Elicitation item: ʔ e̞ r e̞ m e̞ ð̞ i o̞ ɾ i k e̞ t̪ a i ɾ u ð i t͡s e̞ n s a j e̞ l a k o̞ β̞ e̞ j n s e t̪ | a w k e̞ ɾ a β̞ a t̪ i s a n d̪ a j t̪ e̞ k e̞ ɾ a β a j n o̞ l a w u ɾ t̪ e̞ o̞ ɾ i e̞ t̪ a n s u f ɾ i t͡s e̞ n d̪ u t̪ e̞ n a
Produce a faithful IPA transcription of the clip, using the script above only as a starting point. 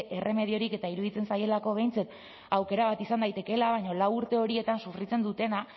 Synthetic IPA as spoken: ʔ e̞ r e̞ m e̞ ð̞ i o̞ ɾ i k e̞ t̪ a i ɾ u ð i t͡s e̞ n s a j e̞ l a k o̞ β̞ e̞ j n t͡s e t̪ | a w k e̞ ɾ a β̞ a t̪ i s a n d̪ a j t̪ e̞ k e̞ l a β a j ɲ o̞ l a w u ɾ t̪ e̞ o̞ ɾ i e̞ t̪ a n s u f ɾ i t͡s e̞ n d̪ u t̪ e̞ n a